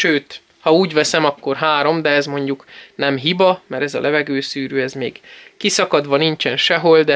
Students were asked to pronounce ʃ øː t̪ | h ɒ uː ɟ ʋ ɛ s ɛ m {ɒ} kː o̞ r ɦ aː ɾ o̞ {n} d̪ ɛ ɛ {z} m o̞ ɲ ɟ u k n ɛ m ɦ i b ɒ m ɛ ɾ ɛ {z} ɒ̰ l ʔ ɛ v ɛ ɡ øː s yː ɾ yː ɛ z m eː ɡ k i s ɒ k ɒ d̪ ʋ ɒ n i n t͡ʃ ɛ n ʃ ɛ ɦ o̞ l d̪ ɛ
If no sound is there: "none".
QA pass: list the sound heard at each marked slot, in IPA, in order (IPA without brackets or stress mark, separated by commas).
ɒ, m, z, z